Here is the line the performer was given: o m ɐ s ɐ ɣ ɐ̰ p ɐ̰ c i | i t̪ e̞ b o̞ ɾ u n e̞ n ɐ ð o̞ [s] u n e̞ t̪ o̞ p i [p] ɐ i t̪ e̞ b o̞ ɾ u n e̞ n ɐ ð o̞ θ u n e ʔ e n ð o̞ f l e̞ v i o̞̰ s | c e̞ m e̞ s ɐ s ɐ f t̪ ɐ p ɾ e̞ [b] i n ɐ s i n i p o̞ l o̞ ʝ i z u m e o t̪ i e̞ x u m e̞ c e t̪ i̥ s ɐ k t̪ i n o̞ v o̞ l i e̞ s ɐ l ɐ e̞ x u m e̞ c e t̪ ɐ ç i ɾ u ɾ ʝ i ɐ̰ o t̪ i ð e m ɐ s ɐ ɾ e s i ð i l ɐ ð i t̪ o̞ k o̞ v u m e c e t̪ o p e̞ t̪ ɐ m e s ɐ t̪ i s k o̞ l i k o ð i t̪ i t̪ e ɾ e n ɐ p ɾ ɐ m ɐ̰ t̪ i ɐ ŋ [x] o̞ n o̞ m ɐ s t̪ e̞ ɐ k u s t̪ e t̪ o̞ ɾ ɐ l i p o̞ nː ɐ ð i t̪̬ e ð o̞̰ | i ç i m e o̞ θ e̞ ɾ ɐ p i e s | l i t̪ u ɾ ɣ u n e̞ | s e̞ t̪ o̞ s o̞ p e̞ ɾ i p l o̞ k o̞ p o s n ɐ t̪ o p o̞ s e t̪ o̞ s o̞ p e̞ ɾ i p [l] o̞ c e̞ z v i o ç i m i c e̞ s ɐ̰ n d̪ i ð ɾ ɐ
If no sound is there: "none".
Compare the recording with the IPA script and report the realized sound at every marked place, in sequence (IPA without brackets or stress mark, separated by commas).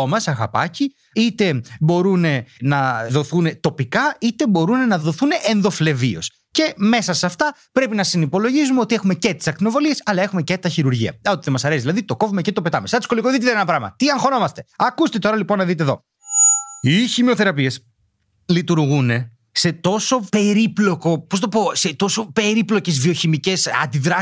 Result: θ, k, p, x, l